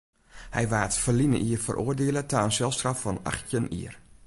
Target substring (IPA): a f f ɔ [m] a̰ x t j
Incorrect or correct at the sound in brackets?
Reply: incorrect: n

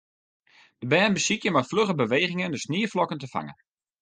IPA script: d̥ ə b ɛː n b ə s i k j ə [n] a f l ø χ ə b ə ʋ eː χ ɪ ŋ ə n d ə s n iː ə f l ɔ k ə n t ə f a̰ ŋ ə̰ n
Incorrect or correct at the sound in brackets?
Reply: incorrect: m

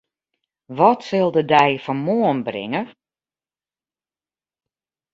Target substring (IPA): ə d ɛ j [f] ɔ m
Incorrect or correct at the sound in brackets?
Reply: correct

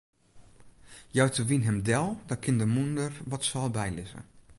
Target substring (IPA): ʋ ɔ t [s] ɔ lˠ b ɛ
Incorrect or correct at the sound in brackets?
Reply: correct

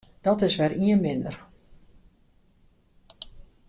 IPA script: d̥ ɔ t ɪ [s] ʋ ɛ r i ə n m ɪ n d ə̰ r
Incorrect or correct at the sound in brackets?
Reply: correct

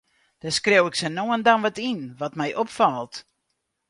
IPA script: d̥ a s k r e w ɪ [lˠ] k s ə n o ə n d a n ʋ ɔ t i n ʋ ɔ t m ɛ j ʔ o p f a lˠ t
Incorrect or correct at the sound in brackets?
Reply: incorrect: none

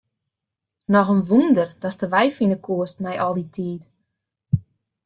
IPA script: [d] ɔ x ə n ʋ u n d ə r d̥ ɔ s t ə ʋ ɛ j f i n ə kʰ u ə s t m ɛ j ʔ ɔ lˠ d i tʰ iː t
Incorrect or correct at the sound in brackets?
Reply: incorrect: n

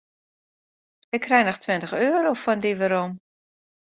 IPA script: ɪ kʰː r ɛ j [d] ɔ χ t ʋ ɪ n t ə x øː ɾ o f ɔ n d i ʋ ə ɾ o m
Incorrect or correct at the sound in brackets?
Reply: incorrect: n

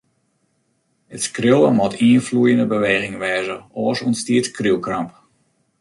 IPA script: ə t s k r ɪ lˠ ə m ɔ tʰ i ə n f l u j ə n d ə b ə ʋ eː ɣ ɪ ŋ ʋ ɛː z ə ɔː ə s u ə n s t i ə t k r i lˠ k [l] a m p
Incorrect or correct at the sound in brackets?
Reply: incorrect: r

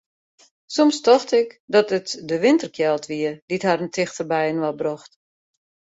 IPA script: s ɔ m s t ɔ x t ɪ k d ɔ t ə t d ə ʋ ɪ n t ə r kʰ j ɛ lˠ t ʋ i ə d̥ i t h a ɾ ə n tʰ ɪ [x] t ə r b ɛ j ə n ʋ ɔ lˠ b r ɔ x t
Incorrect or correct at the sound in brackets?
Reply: correct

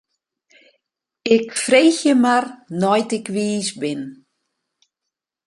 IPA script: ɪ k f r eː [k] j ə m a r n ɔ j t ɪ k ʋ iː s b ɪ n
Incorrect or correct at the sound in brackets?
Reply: incorrect: x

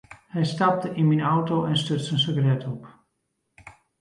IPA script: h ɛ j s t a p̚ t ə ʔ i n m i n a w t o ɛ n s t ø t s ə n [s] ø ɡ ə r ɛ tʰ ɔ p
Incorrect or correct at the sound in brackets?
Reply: correct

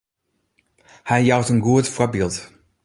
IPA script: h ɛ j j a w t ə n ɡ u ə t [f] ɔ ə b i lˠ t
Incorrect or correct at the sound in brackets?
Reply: correct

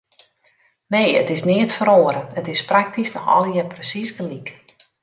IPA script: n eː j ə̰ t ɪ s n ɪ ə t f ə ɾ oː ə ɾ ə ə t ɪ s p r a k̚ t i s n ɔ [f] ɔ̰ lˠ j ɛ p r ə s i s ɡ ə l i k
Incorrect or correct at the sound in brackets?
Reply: incorrect: x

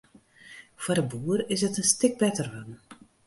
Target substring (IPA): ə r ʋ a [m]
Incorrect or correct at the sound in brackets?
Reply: incorrect: n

